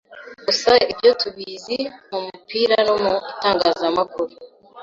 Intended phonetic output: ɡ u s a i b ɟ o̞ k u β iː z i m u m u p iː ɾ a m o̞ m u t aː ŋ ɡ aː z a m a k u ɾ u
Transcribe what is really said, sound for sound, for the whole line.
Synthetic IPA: ɡ u s a i b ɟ o̞ t u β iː z i m u m u p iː ɾ a n o̞ m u t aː ŋ ɡ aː z a m a k u ɾ u